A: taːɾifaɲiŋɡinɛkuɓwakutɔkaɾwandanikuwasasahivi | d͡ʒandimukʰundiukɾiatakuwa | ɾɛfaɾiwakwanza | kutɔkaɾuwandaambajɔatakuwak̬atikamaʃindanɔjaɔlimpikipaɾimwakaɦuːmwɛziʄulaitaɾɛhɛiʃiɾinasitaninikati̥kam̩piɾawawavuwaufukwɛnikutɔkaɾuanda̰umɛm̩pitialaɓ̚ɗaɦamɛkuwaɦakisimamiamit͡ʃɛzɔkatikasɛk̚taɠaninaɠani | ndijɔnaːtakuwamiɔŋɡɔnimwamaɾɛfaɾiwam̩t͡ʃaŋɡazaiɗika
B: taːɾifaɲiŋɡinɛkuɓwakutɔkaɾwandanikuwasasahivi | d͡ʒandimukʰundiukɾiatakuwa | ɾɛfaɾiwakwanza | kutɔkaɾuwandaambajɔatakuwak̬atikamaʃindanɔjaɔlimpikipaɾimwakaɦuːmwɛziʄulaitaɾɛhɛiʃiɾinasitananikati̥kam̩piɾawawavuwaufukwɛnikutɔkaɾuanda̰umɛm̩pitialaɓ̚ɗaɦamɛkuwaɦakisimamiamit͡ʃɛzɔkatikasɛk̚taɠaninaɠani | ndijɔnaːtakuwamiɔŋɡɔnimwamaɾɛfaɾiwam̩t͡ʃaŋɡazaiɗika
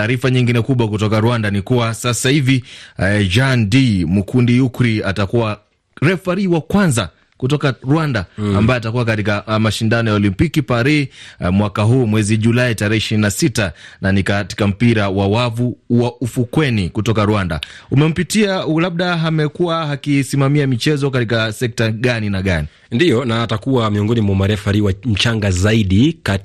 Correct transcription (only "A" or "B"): B